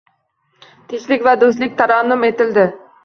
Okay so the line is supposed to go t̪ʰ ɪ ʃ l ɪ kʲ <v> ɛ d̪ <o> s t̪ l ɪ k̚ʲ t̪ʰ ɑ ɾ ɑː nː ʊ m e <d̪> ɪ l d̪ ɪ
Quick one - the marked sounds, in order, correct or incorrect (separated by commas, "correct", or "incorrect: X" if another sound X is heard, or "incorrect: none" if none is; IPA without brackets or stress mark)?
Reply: correct, correct, incorrect: t̪